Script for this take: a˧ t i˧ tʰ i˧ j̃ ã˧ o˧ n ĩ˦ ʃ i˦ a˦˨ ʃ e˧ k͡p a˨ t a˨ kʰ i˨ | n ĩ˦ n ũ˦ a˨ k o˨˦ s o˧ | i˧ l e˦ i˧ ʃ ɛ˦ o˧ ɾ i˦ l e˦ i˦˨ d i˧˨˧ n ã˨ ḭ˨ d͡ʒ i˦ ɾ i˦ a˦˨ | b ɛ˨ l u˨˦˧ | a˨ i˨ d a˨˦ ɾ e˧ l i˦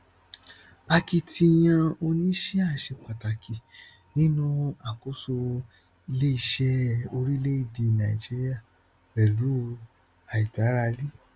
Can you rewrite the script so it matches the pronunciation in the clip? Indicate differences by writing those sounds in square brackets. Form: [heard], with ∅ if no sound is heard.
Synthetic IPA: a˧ [k] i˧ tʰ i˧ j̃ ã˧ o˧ n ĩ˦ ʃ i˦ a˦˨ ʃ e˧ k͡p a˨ t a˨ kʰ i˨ | n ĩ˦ n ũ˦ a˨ k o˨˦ s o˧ | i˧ l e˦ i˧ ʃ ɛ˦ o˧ ɾ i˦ l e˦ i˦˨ d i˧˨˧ n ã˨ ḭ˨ d͡ʒ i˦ ɾ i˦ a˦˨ | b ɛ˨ l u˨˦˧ | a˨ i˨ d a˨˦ ɾ [a˧] l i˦